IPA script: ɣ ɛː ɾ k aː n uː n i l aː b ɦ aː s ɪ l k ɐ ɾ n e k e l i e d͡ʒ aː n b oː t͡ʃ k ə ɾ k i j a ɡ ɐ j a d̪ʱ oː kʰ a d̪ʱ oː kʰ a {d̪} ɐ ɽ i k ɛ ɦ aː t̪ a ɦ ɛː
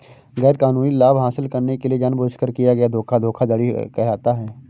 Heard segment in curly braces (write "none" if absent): d̪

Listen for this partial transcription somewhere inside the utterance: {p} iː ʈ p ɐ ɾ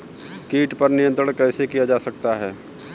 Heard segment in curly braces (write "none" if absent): k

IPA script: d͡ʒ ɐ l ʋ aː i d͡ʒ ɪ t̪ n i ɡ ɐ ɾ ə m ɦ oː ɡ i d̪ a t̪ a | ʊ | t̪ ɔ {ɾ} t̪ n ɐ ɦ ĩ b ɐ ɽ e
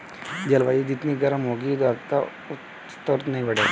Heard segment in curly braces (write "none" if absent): ɾ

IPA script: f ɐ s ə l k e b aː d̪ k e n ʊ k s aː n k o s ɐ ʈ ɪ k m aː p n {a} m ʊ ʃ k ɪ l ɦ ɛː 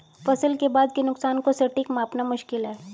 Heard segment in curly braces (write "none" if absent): a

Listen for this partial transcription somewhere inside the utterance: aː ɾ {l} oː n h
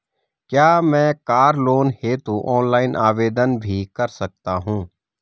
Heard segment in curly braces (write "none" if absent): l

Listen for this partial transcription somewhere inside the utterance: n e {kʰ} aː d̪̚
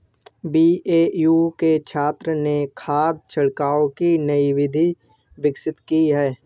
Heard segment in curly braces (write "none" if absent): kʰ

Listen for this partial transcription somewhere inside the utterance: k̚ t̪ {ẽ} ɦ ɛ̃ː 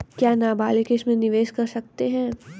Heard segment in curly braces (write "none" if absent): e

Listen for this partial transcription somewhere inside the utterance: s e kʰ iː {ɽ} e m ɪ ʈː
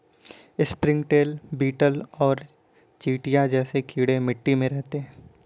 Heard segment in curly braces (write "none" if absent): ɽ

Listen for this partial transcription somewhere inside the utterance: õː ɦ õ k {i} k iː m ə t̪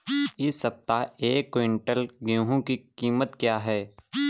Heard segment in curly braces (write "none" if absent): i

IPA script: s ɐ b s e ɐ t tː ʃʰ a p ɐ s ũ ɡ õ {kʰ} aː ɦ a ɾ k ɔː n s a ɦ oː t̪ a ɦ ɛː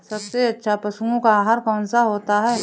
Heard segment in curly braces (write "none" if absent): k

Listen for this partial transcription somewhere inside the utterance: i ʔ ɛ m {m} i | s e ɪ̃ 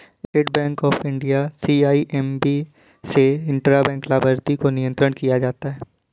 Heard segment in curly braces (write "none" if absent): b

